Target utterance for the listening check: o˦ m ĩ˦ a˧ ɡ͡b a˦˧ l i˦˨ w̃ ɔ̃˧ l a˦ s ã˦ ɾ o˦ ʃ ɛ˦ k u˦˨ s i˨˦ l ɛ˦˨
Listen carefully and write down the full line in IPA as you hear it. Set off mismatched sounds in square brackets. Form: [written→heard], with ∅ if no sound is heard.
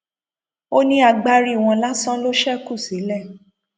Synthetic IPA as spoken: o˦ [m→n] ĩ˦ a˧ ɡ͡b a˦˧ [l→ɾ] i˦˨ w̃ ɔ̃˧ l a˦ s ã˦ [ɾ→l] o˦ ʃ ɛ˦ k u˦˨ s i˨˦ l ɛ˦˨